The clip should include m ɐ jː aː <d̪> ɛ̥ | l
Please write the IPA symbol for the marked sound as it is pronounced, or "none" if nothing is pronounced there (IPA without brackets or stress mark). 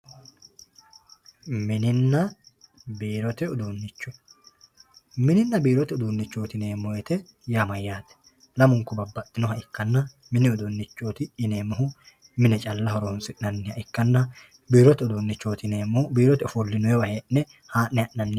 t̪